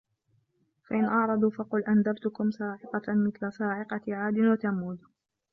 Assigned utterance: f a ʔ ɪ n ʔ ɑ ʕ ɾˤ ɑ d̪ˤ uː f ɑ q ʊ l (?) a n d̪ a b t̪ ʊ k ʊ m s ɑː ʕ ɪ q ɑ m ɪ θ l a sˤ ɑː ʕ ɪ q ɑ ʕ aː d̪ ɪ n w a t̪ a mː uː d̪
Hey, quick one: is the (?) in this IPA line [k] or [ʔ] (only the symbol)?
ʔ